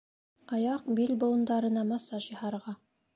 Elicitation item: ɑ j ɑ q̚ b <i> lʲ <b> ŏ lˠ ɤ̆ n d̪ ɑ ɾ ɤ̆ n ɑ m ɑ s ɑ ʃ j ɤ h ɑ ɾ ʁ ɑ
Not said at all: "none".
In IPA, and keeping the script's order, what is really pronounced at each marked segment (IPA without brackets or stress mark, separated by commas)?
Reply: i, b